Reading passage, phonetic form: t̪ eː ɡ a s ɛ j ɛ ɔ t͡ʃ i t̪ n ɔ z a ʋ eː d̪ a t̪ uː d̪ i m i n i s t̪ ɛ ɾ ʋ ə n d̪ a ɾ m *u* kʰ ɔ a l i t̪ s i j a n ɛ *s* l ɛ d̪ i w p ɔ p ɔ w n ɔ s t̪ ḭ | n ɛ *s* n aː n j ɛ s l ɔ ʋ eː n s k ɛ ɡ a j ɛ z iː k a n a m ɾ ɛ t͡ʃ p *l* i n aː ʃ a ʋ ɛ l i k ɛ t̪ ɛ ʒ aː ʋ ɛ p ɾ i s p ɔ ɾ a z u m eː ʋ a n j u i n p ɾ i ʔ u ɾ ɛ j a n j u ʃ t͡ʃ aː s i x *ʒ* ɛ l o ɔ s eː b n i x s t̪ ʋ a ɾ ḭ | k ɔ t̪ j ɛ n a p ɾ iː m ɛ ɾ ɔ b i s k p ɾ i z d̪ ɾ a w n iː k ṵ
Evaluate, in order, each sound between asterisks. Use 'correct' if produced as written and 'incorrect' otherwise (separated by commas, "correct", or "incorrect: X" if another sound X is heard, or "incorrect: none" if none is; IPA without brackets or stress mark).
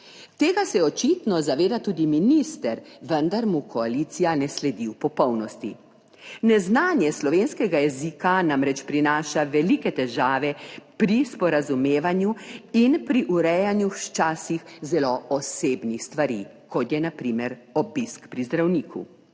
correct, correct, incorrect: z, incorrect: ɾ, incorrect: z